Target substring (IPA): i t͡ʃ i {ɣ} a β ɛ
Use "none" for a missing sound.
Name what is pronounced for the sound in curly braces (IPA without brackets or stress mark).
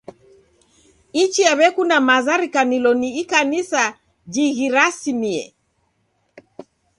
none